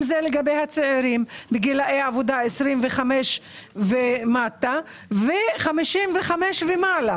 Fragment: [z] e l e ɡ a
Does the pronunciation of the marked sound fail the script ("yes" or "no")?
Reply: no